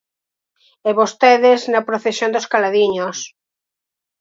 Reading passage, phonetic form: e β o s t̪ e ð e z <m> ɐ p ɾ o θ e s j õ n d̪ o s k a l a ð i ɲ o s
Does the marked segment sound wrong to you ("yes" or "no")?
yes